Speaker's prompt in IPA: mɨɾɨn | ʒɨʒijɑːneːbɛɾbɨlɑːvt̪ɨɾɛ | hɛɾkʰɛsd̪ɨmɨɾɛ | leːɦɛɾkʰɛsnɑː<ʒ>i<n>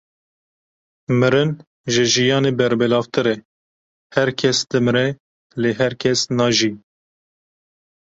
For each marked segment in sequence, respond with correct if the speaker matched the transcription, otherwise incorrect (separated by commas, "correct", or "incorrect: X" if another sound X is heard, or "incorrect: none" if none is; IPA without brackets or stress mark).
correct, incorrect: none